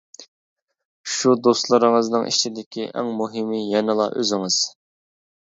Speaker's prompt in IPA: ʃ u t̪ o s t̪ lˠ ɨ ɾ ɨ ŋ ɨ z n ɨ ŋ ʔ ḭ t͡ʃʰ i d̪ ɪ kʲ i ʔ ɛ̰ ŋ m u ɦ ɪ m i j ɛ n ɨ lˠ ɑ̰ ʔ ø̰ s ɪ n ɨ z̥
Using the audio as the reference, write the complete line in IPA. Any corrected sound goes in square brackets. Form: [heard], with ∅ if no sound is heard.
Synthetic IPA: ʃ u [d̪] o s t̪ lˠ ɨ ɾ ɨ ŋ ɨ z n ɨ ŋ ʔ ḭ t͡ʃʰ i d̪ ɪ kʲ i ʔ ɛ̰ ŋ m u ɦ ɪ m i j ɛ n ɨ lˠ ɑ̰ ʔ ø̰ [z] ɪ [ŋ] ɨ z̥